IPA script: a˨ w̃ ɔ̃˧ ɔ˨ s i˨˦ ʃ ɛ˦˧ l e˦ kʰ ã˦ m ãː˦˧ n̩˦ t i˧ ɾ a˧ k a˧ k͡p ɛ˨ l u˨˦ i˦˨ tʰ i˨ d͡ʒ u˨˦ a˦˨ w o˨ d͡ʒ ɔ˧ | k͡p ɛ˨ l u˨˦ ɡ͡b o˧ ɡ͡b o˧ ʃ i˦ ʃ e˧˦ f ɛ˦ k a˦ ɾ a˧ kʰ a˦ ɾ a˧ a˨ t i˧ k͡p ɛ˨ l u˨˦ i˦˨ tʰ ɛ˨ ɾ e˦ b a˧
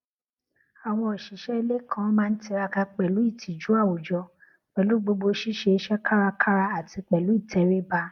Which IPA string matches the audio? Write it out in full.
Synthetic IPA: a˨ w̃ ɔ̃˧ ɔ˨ ʃ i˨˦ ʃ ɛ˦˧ l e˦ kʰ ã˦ m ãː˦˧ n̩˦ t i˧ ɾ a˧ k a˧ k͡p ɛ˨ l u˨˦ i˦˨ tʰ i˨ d͡ʒ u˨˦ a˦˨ w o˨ d͡ʒ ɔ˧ | k͡p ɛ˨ l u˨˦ ɡ͡b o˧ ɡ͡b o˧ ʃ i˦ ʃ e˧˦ ʃ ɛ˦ k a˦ ɾ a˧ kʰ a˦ ɾ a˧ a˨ t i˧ k͡p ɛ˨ l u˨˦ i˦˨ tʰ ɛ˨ ɾ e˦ b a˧